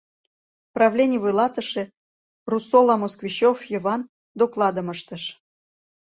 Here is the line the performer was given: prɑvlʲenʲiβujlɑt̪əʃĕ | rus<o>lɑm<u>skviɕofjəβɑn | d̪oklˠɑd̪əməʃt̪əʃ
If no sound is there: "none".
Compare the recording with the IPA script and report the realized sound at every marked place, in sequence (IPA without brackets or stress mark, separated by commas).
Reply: o, o